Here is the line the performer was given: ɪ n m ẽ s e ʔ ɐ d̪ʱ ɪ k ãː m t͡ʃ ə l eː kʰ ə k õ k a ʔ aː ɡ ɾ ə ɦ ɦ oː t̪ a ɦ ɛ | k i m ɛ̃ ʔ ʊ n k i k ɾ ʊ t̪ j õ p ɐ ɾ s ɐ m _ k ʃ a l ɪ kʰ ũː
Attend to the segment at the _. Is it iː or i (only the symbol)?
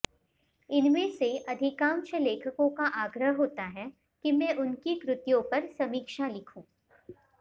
iː